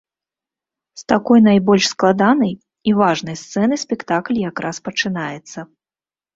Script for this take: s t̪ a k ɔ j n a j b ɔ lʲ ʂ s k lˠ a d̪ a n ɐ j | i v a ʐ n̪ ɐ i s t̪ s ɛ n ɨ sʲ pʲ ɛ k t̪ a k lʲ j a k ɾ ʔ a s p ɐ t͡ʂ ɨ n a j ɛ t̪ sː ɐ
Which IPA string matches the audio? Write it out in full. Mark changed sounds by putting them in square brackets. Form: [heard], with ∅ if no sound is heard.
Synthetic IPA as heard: s t̪ a k ɔ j n a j b ɔ lʲ ʂ s k lˠ a d̪ a n ɐ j | i v a ʐ n̪ ɐ [j] s t̪ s ɛ n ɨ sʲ pʲ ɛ k t̪ a k lʲ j a k ɾ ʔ a s p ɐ t͡ʂ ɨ n a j ɛ t̪ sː ɐ